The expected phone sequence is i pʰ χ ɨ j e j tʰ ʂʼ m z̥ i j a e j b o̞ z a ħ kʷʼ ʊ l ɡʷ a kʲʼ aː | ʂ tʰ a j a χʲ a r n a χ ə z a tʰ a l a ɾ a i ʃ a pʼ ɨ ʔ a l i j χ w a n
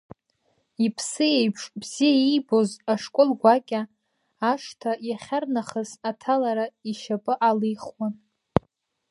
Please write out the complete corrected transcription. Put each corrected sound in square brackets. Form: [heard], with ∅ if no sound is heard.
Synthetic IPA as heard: i pʰ [s] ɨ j e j [pʰ] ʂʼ [b] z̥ i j a [i] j b o̞ z a [ʂ] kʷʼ ʊ l ɡʷ a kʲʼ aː | ʂ tʰ a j a χʲ a r n a χ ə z a tʰ a l a ɾ a i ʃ a pʼ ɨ ʔ a l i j χ w a n